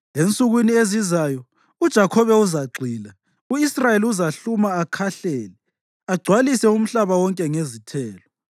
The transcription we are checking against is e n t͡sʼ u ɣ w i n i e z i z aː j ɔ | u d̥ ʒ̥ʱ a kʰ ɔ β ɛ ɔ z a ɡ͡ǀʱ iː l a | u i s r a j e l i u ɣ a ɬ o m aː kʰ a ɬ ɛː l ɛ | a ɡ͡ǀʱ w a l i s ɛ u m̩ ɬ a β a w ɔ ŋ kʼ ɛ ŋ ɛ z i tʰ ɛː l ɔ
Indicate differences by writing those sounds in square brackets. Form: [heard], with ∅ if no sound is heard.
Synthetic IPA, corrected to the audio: e n t͡sʼ u ɣ w i n i e z i z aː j ɔ | u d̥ ʒ̥ʱ a kʰ ɔ β ɛ [u] z a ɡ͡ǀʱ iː l a | u i s r a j e l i u [z] a ɬ [u] m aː kʰ a ɬ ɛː l ɛ | a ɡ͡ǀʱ w a l i s ɛ u m̩ ɬ a β a w ɔ ŋ kʼ ɛ ŋ [e] z i tʰ ɛː l ɔ